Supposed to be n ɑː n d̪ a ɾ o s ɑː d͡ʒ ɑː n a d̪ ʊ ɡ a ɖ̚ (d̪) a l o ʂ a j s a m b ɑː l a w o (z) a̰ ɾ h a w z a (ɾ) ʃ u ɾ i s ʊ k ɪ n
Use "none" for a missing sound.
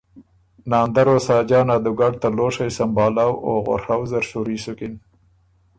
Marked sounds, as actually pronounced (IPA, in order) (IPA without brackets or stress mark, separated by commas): t̪, ɣ, ɾ